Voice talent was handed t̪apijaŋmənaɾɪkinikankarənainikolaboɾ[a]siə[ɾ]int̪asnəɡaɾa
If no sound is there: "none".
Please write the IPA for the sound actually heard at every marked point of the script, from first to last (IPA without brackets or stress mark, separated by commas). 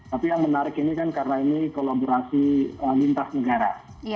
a, l